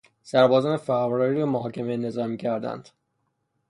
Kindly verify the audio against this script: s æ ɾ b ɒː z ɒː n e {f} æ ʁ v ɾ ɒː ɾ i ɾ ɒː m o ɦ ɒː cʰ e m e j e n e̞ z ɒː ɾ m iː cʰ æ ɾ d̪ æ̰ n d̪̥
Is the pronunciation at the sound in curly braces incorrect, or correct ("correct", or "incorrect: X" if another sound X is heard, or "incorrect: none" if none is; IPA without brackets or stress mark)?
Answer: correct